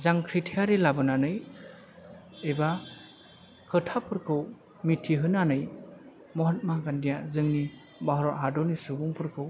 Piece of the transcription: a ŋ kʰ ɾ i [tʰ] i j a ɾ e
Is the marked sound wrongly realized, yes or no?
no